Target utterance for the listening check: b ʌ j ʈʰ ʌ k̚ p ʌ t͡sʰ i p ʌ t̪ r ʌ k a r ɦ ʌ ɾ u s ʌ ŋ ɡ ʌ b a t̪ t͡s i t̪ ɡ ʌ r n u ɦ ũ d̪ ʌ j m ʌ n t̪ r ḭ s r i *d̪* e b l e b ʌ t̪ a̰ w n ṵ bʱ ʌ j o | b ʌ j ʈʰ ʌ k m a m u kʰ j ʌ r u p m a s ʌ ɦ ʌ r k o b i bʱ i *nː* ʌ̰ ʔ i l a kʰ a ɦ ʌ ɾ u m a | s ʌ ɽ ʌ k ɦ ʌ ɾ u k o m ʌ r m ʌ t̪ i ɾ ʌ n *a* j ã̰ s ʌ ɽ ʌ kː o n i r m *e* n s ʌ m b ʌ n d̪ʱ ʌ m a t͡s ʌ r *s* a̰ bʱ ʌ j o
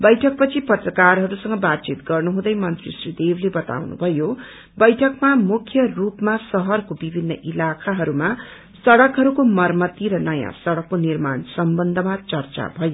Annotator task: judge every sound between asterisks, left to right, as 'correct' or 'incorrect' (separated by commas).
correct, correct, incorrect, incorrect, incorrect